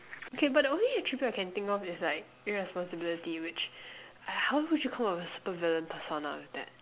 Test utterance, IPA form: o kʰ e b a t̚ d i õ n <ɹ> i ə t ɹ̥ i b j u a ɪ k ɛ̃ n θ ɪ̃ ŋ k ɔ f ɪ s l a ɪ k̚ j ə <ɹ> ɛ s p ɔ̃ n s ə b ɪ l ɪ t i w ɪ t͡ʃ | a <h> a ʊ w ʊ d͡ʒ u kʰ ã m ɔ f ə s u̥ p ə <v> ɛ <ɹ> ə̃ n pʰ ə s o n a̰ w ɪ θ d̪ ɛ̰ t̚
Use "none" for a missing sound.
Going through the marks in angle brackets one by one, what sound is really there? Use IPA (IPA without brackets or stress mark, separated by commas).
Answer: l, ɹ, h, v, l